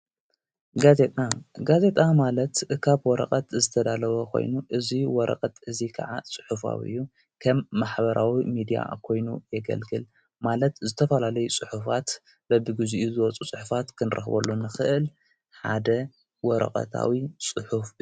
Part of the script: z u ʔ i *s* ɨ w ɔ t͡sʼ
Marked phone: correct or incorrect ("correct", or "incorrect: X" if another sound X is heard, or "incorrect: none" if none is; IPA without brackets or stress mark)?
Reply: incorrect: z